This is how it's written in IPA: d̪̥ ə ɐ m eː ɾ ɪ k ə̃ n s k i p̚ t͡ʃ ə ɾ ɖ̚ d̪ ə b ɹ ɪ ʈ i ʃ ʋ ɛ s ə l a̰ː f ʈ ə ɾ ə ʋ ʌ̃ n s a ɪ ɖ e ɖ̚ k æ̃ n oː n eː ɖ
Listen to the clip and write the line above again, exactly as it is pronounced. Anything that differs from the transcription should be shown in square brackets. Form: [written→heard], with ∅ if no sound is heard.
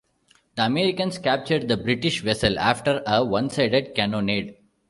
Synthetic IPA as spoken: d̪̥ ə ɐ m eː ɾ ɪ k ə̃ n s k [i→æ] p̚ t͡ʃ ə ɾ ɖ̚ d̪ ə b [ɹ→ɾ] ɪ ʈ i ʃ ʋ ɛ s ə l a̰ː f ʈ ə ɾ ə ʋ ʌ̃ n s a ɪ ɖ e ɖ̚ k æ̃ n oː n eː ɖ